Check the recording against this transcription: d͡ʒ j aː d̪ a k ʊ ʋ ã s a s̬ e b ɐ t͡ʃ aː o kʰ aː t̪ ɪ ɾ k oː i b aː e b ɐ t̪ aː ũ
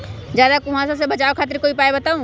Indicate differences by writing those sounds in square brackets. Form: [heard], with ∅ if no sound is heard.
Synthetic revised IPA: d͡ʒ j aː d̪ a k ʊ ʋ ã s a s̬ e b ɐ t͡ʃ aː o kʰ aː t̪ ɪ ɾ k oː i [p] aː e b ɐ t̪ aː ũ